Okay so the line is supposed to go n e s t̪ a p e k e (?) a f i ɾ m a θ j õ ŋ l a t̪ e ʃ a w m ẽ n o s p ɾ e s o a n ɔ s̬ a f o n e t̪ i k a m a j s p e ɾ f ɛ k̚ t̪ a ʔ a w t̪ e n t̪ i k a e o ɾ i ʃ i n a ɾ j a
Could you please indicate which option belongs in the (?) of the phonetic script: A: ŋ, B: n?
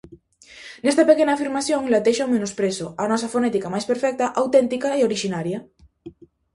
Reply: B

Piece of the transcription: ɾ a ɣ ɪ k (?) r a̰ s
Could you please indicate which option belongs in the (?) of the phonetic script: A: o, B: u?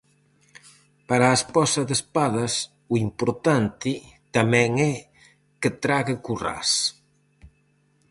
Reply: B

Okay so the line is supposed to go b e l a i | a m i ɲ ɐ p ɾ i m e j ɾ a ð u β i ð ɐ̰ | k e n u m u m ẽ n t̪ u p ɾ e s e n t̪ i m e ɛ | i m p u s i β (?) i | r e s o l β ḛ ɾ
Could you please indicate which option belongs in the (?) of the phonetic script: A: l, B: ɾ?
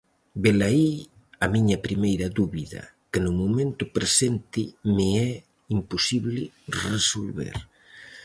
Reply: A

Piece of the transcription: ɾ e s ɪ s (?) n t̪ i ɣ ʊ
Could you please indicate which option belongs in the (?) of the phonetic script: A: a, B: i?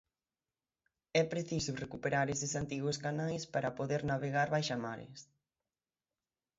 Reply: A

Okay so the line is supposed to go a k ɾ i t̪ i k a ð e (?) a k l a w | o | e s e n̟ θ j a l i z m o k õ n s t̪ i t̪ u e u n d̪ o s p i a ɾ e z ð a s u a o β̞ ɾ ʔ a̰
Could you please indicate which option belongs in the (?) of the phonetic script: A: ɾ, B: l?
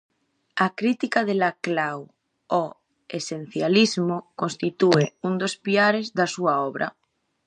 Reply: B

